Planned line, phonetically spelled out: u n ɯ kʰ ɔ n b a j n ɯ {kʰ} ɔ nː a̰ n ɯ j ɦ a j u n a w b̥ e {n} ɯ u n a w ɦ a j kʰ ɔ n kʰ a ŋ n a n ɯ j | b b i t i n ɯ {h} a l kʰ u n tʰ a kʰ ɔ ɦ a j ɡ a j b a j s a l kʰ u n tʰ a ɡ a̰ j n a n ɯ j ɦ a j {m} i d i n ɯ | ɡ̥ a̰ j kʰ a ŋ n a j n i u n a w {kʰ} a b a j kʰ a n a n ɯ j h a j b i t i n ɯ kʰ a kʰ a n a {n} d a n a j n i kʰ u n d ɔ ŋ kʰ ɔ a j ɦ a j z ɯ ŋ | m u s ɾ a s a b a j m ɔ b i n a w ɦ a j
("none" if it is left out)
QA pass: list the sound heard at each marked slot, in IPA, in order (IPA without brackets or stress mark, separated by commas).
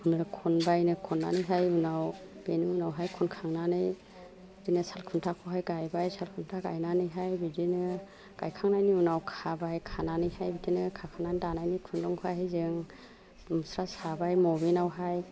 kʰ, n, s, b, kʰ, n